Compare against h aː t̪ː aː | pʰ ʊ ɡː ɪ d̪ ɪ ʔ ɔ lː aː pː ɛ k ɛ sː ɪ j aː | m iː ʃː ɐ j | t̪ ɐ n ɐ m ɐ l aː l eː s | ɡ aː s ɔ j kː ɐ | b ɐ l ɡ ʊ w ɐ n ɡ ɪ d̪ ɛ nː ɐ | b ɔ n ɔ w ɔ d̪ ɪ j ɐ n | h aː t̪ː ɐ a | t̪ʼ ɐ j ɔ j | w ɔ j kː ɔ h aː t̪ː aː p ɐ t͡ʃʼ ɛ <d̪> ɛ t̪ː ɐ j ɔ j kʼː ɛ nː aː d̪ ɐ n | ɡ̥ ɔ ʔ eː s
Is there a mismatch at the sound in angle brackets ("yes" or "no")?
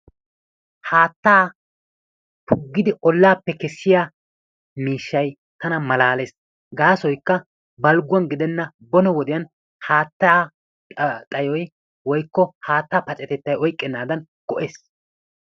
yes